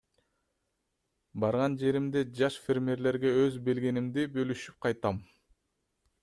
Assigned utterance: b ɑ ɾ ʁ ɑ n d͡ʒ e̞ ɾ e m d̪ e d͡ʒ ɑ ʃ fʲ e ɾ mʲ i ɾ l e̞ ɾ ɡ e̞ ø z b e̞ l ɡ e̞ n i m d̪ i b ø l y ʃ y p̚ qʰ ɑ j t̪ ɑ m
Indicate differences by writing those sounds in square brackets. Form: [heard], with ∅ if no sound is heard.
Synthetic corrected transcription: b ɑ ɾ ʁ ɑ n d͡ʒ e̞ ɾ [i] m d̪ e d͡ʒ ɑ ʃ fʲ e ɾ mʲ [e] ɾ l e̞ ɾ ɡ e̞ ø z b e̞ l ɡ e̞ n i m d̪ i b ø l y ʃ y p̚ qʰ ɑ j t̪ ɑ m